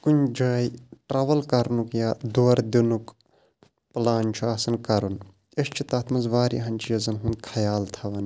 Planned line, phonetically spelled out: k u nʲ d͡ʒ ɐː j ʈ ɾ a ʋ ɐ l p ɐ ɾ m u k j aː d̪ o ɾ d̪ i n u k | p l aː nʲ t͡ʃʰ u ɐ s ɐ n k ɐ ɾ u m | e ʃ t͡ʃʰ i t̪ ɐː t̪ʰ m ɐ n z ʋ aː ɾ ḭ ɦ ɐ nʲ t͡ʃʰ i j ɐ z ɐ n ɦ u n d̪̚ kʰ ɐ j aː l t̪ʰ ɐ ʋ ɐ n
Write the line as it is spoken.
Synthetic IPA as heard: k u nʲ d͡ʒ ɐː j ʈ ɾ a ʋ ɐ l k ɐ ɾ n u k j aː d̪ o ɾ d̪ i n u k | p l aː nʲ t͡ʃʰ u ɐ s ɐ n k ɐ ɾ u n | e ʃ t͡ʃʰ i t̪ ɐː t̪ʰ m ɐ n z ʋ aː ɾ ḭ ɦ ɐ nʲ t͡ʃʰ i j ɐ z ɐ n ɦ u n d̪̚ kʰ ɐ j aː l t̪ʰ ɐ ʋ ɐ n

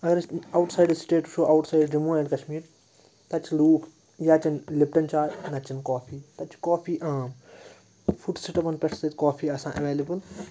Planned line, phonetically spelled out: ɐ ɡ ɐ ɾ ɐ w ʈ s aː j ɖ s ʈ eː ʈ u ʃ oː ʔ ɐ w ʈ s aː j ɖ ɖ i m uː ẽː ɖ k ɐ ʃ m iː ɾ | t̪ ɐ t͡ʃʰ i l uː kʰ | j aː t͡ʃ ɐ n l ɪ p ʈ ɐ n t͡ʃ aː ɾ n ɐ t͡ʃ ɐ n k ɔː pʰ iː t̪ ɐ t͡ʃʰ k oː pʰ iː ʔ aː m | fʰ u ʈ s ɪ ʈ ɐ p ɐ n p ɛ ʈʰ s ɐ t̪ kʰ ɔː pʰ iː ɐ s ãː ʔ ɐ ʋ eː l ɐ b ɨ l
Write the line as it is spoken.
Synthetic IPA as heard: ɐ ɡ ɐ ɾ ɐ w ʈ s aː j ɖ s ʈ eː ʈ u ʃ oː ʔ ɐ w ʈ s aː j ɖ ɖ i m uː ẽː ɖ k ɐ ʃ m iː ɾ | t̪ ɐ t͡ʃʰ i l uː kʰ | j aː t͡ʃ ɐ n l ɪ p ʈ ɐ n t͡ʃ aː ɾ n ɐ t͡ʃ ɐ n k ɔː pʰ iː t̪ ɐ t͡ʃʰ k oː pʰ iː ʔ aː m | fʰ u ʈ s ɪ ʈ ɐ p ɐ n p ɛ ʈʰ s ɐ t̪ k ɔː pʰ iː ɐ s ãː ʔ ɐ ʋ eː l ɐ b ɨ l

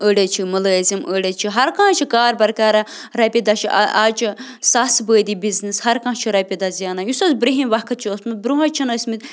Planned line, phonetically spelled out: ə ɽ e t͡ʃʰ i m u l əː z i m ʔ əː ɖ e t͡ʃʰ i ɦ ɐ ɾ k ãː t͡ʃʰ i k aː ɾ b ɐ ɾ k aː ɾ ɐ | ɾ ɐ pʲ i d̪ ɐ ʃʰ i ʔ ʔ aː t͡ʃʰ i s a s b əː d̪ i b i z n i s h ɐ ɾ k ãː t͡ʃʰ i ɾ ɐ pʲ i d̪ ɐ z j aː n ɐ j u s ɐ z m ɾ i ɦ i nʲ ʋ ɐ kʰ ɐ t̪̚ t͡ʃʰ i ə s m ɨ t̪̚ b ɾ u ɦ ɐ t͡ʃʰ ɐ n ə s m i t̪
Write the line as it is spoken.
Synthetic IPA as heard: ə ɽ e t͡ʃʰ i m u l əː z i m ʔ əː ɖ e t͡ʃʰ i ɦ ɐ ɾ k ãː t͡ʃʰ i k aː ɾ b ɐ ɾ k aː ɾ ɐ | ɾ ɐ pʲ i d̪ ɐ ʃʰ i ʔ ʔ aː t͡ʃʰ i s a s b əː d̪ i b i z n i s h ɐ ɾ k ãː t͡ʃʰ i ɾ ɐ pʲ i d̪ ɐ z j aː n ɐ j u s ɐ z b ɾ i ɦ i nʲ ʋ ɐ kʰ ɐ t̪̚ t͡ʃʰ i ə s m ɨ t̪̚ b ɾ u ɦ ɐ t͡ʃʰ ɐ n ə s m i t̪

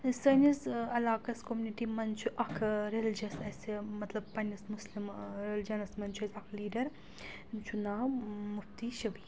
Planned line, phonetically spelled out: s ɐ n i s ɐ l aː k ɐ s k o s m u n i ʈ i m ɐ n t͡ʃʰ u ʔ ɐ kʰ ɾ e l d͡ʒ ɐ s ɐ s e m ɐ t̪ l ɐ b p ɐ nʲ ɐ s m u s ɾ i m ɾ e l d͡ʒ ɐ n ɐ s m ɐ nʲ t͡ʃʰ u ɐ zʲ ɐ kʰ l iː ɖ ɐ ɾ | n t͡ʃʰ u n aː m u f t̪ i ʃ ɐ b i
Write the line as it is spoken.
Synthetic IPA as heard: s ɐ n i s ɐ l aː k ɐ s k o m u n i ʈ i m ɐ n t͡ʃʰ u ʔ ɐ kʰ ɾ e l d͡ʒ ɐ s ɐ s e m ɐ t̪ l ɐ b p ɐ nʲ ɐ s m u s l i m ɾ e l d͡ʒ ɐ n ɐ s m ɐ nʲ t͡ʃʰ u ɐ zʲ ɐ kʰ l iː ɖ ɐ ɾ | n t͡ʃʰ u n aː m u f t̪ i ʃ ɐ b i

